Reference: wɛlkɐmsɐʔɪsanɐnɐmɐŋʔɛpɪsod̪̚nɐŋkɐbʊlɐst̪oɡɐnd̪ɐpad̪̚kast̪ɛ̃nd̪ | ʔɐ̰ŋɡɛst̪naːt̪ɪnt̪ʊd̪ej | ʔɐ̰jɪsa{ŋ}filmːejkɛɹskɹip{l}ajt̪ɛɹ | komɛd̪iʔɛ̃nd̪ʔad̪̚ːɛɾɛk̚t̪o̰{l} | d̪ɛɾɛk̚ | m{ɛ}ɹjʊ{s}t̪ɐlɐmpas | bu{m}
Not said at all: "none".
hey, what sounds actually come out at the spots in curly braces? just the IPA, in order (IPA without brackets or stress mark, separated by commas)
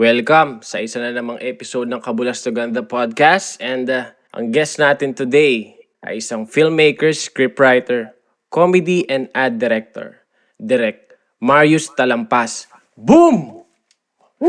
ŋ, ɹ, ɹ, a, s, m